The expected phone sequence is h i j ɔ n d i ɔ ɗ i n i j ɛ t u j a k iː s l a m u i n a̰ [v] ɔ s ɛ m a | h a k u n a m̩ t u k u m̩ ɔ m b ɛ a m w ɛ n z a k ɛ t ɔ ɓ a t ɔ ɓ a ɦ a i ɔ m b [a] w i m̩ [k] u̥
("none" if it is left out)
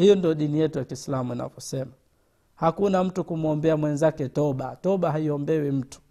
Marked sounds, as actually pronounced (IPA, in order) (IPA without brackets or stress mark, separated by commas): v, ɛ, t